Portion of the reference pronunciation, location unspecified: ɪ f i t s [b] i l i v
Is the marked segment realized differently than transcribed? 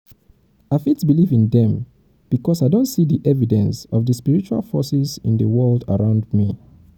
no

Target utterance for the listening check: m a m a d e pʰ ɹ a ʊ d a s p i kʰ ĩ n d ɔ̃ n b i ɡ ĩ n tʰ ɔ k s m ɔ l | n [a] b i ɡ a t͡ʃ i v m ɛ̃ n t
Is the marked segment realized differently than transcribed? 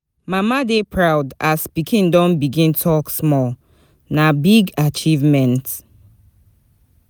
no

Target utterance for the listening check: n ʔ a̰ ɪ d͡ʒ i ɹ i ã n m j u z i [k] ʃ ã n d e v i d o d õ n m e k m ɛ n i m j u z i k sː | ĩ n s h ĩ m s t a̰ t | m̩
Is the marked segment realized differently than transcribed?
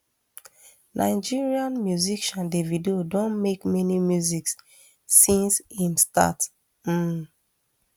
no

